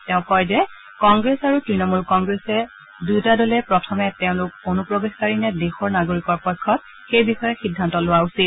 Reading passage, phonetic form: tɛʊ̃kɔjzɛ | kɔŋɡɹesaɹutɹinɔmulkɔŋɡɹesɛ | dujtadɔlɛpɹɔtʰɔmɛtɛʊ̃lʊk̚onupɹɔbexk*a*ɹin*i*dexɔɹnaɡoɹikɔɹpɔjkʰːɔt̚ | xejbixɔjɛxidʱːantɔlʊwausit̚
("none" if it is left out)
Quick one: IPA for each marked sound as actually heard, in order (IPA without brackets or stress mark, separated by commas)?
a, ɛ